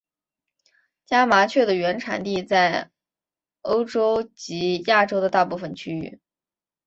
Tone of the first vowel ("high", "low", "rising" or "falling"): high